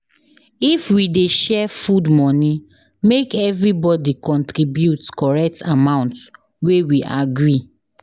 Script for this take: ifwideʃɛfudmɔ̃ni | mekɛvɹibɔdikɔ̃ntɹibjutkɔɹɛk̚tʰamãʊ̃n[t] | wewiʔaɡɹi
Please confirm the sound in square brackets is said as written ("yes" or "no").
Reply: yes